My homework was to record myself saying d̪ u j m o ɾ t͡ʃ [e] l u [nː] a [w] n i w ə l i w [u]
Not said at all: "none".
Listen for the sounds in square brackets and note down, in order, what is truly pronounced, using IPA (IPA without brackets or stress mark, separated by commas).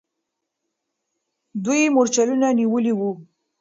a, n, none, u